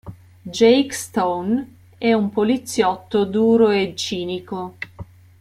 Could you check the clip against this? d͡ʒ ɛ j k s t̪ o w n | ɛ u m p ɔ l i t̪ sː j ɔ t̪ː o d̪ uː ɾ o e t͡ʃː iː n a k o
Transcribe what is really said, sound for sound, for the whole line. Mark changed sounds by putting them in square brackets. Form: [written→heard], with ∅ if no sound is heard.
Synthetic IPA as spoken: d͡ʒ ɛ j k s t̪ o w n | ɛ u m p [ɔ→o] l i t̪ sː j ɔ t̪ː o d̪ uː ɾ o e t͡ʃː iː n [a→i] k o